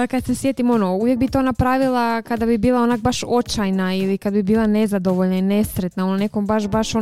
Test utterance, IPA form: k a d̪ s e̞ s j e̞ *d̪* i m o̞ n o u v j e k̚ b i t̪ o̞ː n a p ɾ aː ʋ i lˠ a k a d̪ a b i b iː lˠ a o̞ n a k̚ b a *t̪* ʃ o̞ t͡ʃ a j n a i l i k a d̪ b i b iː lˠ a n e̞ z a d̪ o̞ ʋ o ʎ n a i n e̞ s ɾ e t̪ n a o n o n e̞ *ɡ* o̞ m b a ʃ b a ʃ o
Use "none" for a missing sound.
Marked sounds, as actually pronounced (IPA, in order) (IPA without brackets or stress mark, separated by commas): t̪, none, k